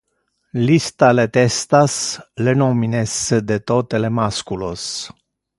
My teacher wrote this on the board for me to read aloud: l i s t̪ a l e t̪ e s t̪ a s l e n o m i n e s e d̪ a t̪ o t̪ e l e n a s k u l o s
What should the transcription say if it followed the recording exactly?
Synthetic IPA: l i s t̪ a l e t̪ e s t̪ a s l e n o m i n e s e d̪ e t̪ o t̪ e l e m a s k u l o s

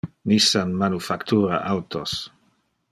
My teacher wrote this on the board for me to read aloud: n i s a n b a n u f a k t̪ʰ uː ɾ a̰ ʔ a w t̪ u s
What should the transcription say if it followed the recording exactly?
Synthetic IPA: n i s a n m a n u f a k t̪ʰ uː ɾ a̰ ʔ a w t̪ o s

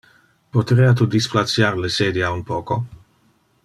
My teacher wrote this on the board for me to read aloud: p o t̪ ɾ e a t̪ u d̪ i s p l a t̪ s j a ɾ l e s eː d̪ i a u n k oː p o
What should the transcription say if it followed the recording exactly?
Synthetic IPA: p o t̪ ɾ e a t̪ u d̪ i s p l a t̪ s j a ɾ l e s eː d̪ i a u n p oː k o

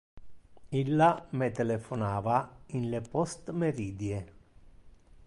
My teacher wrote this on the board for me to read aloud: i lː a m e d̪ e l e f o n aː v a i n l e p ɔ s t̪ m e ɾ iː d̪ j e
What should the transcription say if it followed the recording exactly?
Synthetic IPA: i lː a m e t̪ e l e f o n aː v a i n l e p ɔ s t̪ m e ɾ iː d̪ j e

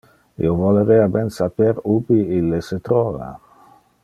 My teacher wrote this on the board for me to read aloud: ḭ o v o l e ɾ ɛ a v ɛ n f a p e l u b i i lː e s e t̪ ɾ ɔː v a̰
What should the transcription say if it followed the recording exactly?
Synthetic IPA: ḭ o v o l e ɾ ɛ a b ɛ n s a p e ɾ u b i i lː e s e t̪ ɾ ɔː v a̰

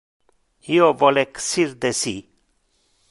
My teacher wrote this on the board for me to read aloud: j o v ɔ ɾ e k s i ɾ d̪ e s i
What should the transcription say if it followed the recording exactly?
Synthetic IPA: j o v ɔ l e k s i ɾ d̪ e s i

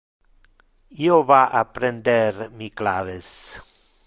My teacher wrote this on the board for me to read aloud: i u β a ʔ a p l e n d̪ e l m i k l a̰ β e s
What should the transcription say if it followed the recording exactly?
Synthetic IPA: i o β a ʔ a p ɾ e n d̪ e ɾ m i k l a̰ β e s

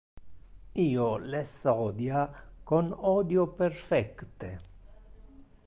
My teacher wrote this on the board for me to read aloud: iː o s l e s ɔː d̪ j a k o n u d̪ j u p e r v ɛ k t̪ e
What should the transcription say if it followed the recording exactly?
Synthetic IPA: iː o l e s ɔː d̪ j a k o n ɔ d̪ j o p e r f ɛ k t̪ e

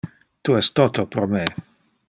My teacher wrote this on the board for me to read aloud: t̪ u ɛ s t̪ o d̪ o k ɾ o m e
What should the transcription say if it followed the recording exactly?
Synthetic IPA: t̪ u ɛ s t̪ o t̪ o p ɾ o m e

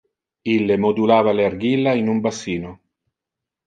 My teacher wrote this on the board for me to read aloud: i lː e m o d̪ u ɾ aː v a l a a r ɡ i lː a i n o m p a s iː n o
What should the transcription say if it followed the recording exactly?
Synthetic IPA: i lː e m o d̪ u l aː v a l e a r ɡ i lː a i n u m b a s iː n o

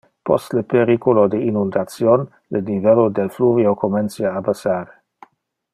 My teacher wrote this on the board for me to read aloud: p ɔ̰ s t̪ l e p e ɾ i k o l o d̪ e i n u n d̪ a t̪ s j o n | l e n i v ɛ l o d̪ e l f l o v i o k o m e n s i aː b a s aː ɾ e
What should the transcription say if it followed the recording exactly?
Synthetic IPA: p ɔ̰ s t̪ l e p e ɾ i k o l o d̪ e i n u n d̪ a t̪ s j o n | l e n i v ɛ l o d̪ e l f l u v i o k o m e n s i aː b a s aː ɾ e

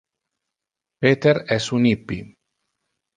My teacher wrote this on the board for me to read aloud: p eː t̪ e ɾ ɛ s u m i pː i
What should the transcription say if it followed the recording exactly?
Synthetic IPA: p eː t̪ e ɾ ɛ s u n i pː i

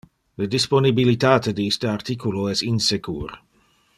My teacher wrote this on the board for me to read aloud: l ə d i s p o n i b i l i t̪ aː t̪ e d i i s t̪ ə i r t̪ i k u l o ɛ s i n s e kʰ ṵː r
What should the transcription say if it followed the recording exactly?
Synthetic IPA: l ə d i s p o n i b i l i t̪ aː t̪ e d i i s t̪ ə a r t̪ i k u l o ɛ s i n s e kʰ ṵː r

